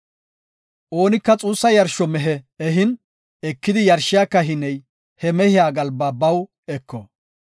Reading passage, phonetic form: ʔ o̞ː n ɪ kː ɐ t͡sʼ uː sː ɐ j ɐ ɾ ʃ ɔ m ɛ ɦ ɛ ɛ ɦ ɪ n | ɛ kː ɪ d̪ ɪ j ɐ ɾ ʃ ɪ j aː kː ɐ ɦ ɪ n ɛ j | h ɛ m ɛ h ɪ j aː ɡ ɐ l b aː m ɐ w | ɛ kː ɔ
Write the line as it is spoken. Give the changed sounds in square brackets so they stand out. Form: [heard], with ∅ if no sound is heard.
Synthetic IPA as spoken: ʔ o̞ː n ɪ kː ɐ t͡sʼ uː sː ɐ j ɐ ɾ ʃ ɔ m ɛ ɦ ɛ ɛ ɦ ɪ n | ɛ kː ɪ d̪ ɪ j ɐ ɾ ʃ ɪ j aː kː ɐ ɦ ɪ n ɛ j | h ɛ m ɛ h ɪ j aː ɡ ɐ l b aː [b] ɐ w | ɛ kː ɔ